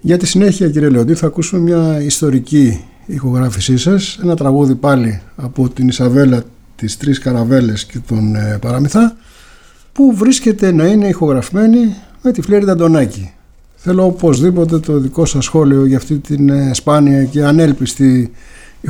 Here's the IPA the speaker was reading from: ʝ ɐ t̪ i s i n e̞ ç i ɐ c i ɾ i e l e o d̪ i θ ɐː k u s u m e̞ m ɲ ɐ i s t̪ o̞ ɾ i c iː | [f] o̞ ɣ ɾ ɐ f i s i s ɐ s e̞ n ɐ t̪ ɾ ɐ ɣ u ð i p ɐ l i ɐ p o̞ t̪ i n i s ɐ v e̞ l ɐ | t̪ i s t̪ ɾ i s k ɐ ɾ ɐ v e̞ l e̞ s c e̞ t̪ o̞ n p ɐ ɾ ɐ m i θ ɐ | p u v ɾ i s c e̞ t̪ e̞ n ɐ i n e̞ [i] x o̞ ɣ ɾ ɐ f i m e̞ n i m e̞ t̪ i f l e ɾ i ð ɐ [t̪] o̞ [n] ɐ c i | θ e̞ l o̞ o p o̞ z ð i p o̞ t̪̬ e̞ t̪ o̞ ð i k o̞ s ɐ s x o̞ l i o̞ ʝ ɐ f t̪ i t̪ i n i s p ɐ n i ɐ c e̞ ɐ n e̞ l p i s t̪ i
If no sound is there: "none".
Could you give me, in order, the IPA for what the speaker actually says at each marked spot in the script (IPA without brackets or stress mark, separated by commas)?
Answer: x, i, d̪, n